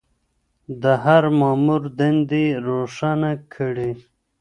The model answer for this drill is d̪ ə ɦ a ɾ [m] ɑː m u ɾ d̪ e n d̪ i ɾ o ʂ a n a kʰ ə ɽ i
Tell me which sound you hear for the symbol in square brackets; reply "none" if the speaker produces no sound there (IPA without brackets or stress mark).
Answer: m